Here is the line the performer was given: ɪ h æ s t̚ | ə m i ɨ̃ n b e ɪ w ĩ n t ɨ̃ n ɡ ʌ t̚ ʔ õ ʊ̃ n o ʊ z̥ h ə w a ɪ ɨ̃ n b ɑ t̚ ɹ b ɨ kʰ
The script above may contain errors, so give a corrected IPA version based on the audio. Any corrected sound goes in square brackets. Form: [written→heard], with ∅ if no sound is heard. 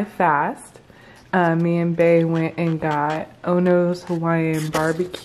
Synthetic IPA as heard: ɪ [h→f] æ s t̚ | [ə→ʌ] m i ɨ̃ n b e ɪ w [ĩ→ɛ̃] n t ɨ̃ n ɡ [ʌ→ɑ] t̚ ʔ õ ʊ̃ n o ʊ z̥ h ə w a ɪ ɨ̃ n b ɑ [t̚→∅] ɹ b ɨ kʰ

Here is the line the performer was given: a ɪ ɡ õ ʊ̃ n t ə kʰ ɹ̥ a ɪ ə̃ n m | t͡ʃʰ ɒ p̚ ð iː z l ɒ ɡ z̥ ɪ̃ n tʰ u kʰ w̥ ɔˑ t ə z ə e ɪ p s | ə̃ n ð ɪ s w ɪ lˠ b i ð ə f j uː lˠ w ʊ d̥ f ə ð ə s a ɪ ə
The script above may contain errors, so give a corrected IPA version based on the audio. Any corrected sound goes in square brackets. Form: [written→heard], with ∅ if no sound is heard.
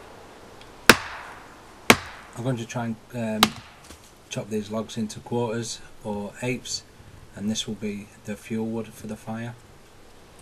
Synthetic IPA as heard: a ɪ ɡ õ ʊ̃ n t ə [kʰ→tʰ] ɹ̥ a ɪ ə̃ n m | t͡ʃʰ ɒ p̚ ð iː z l ɒ ɡ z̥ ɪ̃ n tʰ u kʰ w̥ ɔˑ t ə z ə e ɪ p s | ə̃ n ð ɪ s w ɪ lˠ b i ð ə f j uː lˠ w ʊ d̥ f ə ð ə [s→f] a ɪ ə

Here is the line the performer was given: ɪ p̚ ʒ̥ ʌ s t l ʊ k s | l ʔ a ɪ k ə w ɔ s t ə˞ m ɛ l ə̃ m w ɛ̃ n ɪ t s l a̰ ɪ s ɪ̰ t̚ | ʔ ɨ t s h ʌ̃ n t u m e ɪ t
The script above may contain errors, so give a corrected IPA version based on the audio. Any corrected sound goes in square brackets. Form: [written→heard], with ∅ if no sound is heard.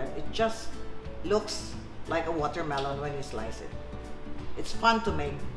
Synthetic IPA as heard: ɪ [p̚→t̚] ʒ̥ ʌ s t l ʊ k s | l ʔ a ɪ k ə w ɔ [s→∅] t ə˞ m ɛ l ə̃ [m→n] w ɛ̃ n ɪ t s l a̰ ɪ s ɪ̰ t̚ | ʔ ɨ t s [h→f] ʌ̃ n t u m e ɪ [t→k]

